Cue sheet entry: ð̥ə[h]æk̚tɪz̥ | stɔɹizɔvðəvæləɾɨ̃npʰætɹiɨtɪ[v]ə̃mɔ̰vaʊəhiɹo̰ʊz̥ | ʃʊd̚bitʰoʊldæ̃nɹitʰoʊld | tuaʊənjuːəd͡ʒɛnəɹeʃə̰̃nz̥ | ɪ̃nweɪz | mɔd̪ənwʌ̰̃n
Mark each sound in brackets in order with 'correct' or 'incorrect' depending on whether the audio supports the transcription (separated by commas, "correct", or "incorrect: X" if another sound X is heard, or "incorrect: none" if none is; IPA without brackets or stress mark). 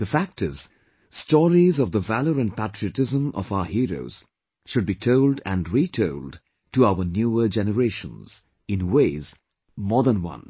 incorrect: f, incorrect: z